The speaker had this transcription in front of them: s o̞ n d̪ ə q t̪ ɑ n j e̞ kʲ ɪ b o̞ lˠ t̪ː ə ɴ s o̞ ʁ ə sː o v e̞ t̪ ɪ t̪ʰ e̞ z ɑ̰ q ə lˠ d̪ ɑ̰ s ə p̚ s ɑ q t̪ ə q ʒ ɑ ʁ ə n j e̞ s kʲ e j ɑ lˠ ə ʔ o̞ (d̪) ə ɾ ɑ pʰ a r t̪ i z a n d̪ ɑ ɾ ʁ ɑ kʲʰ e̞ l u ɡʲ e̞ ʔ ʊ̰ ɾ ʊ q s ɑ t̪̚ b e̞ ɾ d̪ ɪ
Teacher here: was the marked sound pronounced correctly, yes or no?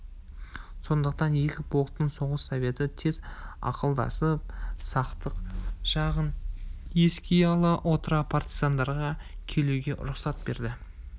no